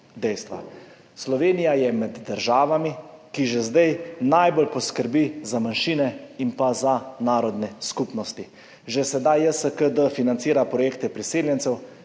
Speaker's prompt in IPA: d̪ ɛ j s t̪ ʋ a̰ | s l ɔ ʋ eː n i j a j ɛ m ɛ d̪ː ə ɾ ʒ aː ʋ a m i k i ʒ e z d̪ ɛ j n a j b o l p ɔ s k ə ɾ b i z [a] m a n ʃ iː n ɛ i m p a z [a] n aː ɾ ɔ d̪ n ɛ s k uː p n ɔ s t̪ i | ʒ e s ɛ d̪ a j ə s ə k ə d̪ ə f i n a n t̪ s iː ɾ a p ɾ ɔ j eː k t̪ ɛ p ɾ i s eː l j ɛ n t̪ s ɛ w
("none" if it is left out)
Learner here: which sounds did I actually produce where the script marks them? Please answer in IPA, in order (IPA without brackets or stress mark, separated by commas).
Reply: a, a